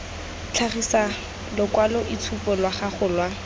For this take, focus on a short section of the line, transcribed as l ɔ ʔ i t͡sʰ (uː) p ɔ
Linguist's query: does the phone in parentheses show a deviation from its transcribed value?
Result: yes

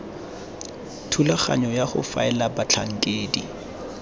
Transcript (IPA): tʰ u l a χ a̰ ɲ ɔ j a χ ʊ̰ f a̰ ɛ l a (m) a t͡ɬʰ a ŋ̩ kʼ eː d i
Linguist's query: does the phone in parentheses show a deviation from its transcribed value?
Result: yes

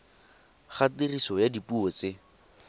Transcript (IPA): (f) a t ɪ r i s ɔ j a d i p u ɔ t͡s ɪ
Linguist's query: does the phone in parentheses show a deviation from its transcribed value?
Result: yes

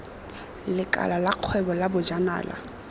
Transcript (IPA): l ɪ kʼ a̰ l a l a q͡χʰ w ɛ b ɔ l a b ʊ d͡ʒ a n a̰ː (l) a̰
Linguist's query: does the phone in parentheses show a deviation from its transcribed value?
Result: no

